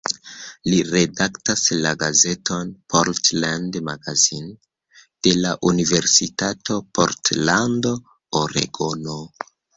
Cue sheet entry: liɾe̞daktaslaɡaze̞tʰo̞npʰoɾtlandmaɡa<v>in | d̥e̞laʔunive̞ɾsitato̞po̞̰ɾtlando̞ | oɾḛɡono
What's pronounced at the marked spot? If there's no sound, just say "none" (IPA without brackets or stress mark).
z